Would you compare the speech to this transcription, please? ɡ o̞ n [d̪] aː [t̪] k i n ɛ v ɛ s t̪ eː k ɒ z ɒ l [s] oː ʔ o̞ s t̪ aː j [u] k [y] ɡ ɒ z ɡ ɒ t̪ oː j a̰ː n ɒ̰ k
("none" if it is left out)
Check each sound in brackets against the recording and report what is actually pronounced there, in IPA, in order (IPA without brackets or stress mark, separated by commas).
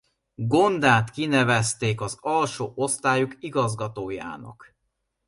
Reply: d̪, t̪, ʃ, u, i